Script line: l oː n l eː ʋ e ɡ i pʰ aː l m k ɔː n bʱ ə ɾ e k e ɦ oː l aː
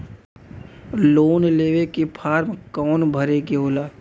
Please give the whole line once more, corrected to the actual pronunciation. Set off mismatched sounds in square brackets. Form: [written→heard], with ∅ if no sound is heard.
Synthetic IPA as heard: l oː n l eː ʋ e [ɡ→k] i pʰ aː [l→ɾ] m k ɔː n bʱ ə ɾ e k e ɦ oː l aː